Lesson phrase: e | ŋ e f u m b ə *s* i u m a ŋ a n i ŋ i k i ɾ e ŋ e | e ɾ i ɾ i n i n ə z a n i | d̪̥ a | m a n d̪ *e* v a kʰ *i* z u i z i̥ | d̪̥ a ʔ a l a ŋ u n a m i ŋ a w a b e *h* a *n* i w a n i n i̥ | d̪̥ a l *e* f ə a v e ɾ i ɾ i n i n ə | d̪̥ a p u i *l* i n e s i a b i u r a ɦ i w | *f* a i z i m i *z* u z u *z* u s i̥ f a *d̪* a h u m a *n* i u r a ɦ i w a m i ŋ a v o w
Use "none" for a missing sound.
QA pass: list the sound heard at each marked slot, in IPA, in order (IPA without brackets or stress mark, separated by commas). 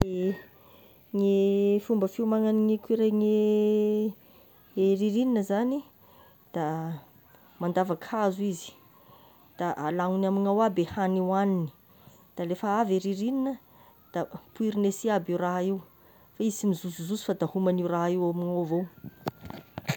f, a, a, h, n, e, ɾ, f, z, z, d̪, n